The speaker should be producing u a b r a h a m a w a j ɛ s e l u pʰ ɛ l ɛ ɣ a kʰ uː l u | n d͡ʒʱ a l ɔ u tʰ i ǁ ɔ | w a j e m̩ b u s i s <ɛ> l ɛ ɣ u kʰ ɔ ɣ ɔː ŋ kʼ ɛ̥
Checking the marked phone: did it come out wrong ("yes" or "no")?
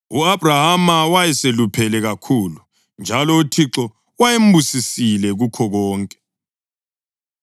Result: yes